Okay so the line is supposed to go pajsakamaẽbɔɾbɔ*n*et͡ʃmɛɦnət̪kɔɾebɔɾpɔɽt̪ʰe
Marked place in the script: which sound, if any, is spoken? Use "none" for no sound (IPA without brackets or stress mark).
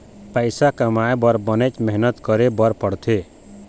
n